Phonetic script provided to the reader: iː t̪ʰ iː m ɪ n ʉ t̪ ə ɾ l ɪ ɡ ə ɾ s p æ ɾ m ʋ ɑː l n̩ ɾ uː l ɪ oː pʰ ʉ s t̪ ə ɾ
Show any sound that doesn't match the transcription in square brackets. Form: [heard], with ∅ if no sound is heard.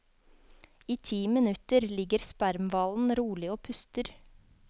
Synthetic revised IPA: iː t̪ʰ iː m ɪ n ʉ t̪ ə ɾ l ɪ ɡ ə ɾ s p æ ɾ m ʋ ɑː l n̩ ɾ uː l ɪ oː pʰ ʉ s t̪ ə ɾ